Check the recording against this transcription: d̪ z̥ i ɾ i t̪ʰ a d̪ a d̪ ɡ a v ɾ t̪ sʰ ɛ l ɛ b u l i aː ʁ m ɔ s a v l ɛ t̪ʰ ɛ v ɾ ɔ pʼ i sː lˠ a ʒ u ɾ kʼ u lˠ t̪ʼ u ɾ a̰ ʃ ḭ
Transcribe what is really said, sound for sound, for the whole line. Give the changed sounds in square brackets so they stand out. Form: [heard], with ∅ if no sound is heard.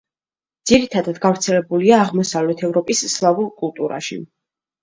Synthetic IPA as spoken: d̪ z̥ i ɾ i t̪ʰ a d̪ a d̪ ɡ a v ɾ t̪ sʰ ɛ l ɛ b u l i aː ʁ m ɔ s a v l ɛ t̪ʰ ɛ v ɾ ɔ pʼ i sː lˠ a [v] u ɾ kʼ u lˠ t̪ʼ u ɾ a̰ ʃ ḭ